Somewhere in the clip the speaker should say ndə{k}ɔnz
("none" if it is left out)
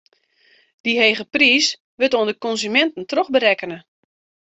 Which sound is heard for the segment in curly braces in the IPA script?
k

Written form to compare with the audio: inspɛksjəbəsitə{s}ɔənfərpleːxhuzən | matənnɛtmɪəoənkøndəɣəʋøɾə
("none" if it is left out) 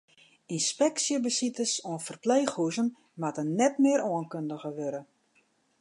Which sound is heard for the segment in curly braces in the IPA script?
s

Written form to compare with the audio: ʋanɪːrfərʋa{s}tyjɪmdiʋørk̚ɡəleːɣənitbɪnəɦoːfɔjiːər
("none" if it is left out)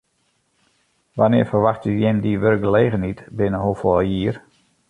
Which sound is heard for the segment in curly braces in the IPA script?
x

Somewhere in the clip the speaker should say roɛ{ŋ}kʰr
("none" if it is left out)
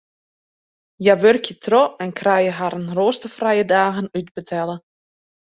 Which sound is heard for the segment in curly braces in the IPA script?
n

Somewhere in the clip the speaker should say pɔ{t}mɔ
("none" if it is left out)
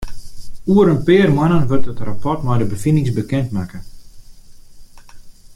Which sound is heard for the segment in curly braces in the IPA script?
t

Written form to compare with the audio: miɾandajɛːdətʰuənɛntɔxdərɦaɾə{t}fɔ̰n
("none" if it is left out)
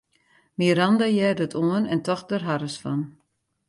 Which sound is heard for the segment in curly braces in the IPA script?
s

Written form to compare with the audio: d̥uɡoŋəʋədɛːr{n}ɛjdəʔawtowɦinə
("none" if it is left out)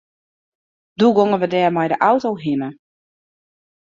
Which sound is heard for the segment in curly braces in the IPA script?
m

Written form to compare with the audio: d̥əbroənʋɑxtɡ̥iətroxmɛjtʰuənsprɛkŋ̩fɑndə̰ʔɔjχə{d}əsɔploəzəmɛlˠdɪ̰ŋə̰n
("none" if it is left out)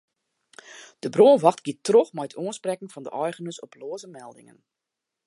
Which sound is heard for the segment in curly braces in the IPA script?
n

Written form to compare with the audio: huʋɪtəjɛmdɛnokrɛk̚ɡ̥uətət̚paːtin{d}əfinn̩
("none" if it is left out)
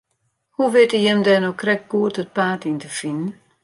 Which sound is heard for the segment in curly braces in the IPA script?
t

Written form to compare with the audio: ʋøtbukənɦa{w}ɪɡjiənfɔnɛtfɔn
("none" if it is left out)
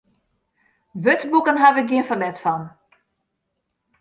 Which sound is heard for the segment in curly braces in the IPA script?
ʋ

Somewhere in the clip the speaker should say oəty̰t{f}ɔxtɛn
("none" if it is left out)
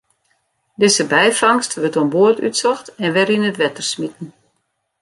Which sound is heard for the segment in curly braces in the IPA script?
s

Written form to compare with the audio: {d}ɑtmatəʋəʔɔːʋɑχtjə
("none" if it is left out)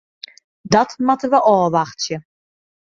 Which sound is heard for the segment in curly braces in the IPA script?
d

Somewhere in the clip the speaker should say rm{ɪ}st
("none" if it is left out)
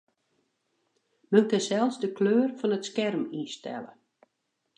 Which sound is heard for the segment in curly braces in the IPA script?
i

